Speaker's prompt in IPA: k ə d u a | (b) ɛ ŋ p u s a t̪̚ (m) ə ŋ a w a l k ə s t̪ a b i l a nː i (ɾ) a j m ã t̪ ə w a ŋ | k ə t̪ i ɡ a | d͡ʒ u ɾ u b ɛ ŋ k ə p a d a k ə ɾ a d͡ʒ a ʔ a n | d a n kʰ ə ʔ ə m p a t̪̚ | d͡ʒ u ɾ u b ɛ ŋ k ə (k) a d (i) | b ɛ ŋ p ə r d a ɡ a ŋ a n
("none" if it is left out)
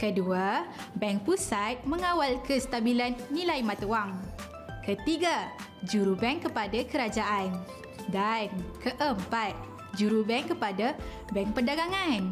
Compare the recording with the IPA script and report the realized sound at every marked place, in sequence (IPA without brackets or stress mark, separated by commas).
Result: b, m, l, p, a